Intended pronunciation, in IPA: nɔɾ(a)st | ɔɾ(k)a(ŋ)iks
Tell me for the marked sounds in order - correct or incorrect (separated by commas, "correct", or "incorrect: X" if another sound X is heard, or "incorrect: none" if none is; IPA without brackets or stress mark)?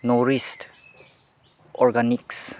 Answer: incorrect: i, incorrect: ɡ, incorrect: n